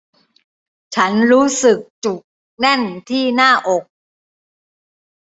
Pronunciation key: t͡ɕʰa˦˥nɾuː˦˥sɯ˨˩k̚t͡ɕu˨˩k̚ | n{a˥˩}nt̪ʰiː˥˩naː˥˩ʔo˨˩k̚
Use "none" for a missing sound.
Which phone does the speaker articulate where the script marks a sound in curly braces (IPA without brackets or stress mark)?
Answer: ɛ˥˩